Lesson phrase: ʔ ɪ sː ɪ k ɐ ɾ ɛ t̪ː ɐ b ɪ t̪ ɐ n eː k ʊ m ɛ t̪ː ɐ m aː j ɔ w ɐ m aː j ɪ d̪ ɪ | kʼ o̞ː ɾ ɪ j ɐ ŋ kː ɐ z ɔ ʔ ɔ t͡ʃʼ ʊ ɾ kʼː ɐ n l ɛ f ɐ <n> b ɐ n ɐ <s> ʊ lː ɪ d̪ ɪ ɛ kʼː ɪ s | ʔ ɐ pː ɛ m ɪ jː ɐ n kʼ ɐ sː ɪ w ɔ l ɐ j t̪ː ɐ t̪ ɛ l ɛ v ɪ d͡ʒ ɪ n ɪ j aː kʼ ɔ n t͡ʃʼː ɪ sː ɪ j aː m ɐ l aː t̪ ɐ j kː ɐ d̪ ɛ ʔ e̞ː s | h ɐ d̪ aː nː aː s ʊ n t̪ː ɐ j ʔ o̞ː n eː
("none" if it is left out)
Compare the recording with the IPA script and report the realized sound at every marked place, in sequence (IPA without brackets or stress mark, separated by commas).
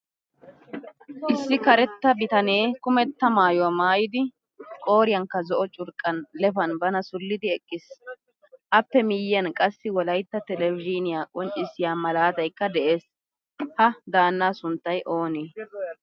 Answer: n, s